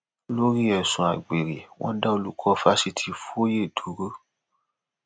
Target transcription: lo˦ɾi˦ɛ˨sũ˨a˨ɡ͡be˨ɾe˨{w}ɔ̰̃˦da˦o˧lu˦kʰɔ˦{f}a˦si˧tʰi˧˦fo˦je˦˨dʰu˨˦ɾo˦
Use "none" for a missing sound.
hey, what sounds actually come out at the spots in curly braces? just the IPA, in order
w, f

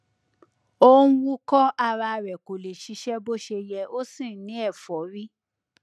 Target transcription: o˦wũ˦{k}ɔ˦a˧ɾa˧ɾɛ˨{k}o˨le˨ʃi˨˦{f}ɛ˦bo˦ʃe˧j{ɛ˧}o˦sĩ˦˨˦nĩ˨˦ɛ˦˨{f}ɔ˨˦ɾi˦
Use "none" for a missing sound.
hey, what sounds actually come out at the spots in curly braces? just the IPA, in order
k, k, ʃ, ɛ˧, f

